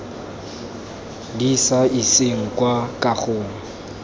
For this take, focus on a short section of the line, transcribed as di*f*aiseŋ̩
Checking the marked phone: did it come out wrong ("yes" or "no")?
yes